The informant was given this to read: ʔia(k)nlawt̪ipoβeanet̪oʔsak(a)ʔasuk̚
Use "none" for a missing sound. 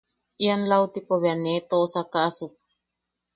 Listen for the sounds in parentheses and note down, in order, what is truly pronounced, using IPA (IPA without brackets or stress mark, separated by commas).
none, a